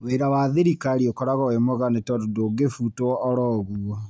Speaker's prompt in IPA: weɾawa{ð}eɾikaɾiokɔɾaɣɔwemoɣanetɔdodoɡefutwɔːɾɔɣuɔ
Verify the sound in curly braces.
correct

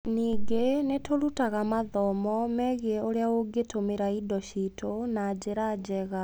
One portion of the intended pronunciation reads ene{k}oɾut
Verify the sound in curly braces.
incorrect: t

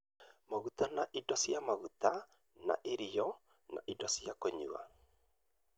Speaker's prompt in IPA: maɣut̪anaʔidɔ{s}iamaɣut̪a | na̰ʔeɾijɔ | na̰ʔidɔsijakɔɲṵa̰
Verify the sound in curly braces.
correct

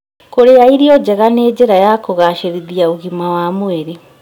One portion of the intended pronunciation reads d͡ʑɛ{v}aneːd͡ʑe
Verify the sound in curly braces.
incorrect: ɣ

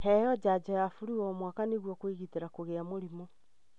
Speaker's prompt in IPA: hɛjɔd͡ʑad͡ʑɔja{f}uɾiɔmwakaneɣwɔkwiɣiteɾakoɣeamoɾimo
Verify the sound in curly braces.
correct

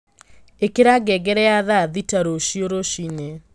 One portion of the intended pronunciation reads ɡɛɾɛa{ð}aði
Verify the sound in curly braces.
correct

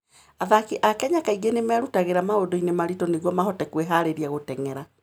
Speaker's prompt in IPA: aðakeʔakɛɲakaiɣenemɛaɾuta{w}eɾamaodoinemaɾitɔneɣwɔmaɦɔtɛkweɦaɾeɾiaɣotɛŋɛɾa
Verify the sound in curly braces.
incorrect: ɣ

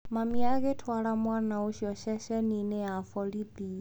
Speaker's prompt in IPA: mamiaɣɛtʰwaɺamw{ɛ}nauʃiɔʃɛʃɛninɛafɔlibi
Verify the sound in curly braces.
incorrect: a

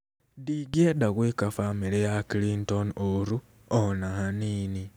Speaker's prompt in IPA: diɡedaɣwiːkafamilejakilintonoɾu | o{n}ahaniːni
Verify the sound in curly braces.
correct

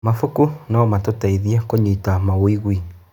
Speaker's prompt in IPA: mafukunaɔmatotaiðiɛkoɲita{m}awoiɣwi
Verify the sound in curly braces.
correct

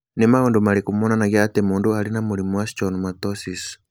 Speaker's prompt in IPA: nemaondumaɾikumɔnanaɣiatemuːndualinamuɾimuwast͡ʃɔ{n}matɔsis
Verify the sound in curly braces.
correct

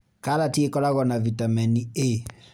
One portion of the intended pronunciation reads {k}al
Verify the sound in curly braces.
correct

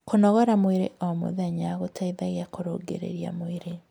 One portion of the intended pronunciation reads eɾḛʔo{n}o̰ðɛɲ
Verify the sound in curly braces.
incorrect: m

